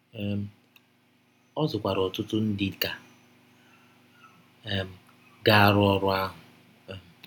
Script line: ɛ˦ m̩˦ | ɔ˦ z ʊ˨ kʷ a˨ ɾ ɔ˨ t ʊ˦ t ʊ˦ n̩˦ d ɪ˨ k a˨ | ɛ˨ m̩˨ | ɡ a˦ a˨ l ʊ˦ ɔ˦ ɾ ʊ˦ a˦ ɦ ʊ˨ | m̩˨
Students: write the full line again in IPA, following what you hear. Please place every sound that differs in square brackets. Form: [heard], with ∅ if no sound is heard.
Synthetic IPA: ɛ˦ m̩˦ | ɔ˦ z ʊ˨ kʷ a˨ ɾ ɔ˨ t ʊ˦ t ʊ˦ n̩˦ d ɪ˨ k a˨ | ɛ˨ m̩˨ | ɡ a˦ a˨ [ɾ] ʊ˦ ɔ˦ ɾ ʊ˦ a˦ ɦ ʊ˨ | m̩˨